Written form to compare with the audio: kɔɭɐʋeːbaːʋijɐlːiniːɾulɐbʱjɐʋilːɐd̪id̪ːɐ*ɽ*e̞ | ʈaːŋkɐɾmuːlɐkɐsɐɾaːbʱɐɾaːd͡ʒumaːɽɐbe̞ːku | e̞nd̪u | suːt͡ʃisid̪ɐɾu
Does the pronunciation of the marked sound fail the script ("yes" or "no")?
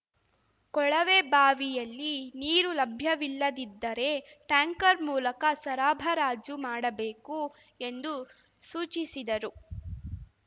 yes